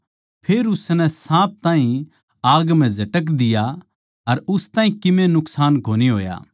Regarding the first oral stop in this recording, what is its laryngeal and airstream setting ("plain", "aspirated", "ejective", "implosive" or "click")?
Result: aspirated